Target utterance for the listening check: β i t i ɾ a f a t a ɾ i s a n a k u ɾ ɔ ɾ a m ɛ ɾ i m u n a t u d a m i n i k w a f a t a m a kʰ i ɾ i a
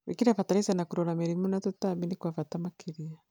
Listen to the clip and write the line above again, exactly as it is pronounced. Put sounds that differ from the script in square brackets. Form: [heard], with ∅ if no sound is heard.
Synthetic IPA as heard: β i [k] i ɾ a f a t a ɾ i s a n a k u ɾ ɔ ɾ a m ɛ ɾ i m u n a t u [t] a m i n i k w a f a t a m a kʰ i ɾ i a